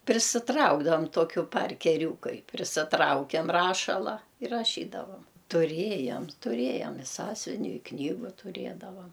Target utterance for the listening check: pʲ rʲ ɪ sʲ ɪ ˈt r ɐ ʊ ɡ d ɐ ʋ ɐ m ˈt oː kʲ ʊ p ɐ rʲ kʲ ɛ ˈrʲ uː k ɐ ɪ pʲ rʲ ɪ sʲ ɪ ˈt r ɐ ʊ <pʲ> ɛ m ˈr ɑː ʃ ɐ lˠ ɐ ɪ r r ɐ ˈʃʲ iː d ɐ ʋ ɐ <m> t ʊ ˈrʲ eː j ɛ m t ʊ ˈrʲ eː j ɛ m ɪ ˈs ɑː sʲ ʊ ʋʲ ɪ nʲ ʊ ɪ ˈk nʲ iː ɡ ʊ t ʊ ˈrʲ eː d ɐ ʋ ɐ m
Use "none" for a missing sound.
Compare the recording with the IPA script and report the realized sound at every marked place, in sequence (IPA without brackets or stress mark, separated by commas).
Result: kʲ, m